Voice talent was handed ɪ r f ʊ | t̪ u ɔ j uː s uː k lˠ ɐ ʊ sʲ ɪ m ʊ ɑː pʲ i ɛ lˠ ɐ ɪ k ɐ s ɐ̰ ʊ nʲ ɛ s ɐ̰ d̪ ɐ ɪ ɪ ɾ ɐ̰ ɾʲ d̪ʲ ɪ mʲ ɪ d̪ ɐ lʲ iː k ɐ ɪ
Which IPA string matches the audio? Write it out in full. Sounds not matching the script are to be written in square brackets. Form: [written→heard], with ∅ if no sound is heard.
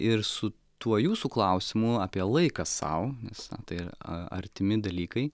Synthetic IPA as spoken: ɪ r [f→s] ʊ | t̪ u ɔ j uː s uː k lˠ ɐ ʊ sʲ ɪ m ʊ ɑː pʲ i ɛ lˠ ɐ ɪ k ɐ s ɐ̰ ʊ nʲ ɛ s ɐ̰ [d̪→t̪] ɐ ɪ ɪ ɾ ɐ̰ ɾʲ [d̪ʲ→t̪ʲ] ɪ mʲ ɪ d̪ ɐ lʲ iː k ɐ ɪ